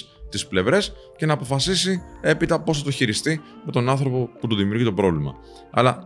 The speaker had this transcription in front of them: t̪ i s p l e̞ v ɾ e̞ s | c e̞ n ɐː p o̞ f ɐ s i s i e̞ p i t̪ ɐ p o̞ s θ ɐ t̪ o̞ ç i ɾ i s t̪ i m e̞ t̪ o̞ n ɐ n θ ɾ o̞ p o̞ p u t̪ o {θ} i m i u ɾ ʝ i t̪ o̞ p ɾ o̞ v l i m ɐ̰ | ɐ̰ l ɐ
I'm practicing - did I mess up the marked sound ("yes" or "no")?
yes